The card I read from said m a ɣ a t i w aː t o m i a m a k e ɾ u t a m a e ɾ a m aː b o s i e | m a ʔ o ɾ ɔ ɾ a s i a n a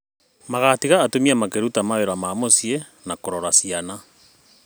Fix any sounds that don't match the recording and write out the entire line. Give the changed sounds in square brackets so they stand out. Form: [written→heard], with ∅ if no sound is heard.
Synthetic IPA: m a ɣ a t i [w→ɣ] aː t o m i a m a k e ɾ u t a m a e ɾ a m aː [b→m] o s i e | [m→n] a [ʔ→k] o ɾ ɔ ɾ a s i a n a